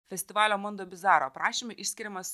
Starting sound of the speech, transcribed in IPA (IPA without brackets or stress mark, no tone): fʲ